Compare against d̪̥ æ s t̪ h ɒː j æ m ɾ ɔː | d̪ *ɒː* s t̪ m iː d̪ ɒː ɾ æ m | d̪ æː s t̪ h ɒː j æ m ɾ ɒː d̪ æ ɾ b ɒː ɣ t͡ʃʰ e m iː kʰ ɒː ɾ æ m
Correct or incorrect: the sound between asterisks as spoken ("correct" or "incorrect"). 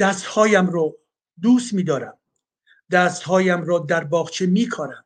incorrect